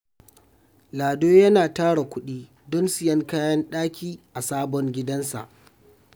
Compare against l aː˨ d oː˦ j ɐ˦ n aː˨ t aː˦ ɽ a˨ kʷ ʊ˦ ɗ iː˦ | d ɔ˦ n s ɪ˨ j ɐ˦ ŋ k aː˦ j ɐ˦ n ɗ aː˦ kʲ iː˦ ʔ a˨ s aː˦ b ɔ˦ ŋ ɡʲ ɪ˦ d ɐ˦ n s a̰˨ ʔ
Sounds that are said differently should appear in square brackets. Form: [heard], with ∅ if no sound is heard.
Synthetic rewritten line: l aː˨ d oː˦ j ɐ˦ n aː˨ t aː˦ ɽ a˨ kʷ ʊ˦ ɗ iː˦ | d ɔ˦ n s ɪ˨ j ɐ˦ ŋ k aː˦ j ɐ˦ n ɗ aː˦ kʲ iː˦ ʔ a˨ s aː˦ b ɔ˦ ŋ ɡʲ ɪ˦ d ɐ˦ n s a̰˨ ʔ